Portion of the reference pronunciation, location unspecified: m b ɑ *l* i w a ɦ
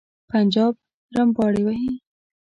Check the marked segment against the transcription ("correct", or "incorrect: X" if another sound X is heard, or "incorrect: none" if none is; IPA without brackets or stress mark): incorrect: ɽ